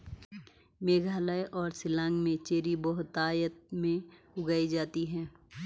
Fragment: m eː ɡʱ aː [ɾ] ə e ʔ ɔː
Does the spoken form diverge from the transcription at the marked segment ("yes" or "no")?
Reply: yes